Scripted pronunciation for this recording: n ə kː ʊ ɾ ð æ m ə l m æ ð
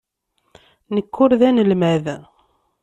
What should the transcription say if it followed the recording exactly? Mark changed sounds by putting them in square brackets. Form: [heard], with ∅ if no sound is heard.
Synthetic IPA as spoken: n ə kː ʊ ɾ ð æ [n] ə l m æ ð